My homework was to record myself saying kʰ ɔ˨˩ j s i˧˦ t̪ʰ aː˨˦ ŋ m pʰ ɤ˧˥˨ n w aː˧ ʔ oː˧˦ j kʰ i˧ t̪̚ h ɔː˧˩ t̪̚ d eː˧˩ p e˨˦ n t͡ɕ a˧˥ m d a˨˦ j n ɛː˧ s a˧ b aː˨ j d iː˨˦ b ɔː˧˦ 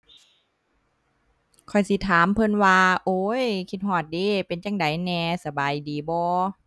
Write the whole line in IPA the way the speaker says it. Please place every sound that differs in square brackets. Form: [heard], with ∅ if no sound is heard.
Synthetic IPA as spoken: kʰ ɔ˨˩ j s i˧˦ t̪ʰ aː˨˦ [∅] m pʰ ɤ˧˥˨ n w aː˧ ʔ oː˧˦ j kʰ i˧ t̪̚ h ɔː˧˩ t̪̚ d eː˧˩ p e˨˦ n t͡ɕ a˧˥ [ŋ] d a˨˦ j n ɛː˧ s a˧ b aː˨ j d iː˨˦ b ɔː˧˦